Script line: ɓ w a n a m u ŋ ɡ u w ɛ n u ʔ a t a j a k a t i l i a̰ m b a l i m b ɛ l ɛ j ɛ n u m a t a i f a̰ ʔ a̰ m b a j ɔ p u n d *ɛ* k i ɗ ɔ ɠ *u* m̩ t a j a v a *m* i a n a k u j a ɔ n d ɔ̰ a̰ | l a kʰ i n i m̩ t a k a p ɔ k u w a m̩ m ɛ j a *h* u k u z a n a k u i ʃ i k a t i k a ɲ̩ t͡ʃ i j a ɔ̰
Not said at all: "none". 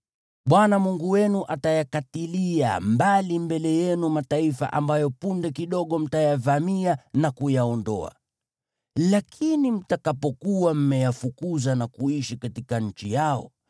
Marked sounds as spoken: ɛ, ɔ, m, f

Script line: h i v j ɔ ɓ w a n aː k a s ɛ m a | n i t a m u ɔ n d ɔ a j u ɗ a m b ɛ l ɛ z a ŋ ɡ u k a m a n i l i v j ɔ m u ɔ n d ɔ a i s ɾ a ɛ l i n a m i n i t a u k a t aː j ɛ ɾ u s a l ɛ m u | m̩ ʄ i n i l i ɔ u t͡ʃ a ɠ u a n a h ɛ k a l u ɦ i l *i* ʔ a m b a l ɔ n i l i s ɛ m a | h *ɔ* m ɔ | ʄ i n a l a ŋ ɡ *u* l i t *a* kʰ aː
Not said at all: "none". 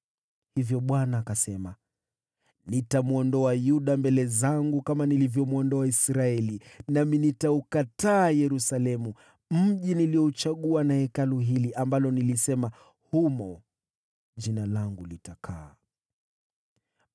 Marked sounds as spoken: i, u, u, a

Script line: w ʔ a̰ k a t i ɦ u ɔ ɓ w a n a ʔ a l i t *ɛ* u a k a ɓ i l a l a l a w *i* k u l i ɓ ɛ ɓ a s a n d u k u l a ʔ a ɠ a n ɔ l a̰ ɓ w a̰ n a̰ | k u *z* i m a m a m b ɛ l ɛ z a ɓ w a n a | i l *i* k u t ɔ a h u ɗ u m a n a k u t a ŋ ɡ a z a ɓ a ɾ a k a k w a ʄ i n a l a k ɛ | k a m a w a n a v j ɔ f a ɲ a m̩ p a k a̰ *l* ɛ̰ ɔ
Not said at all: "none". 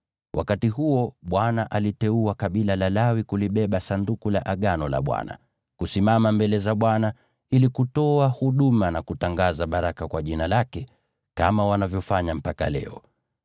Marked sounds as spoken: ɛ, i, s, i, l

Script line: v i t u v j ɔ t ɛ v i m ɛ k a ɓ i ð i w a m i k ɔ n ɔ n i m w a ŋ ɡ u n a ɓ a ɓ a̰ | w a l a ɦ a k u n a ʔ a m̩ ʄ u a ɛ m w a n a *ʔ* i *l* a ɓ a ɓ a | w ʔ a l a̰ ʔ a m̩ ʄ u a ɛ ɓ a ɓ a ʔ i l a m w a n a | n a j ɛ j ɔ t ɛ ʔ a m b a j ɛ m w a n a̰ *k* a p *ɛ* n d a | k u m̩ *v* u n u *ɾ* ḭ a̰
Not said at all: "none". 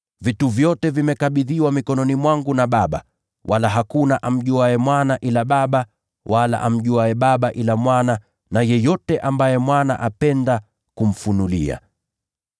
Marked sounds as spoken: ʔ, l, ʔ, ɛ, f, l

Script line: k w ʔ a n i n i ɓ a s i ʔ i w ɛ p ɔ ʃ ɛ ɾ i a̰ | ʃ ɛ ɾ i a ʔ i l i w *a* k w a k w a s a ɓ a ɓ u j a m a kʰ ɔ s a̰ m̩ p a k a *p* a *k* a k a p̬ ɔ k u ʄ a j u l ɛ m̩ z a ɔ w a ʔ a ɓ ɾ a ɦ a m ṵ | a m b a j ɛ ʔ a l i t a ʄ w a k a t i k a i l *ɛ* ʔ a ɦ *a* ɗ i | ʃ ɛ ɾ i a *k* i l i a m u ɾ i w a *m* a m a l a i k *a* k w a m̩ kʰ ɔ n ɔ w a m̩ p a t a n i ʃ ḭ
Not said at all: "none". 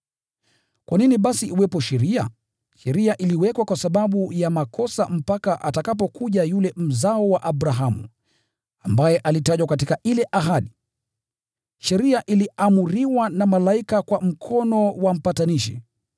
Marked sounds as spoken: ɛ, ʔ, t, ɛ, a, ʔ, n, a

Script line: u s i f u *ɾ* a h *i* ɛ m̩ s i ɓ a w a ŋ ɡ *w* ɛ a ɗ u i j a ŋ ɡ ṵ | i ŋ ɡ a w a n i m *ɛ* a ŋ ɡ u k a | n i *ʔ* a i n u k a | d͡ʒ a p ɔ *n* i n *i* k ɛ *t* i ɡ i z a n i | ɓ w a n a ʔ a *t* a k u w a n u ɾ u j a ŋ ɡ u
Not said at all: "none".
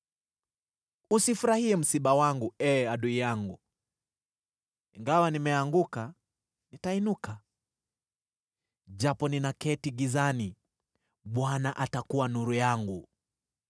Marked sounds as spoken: ɾ, i, u, ɛ, t, n, a, t, t

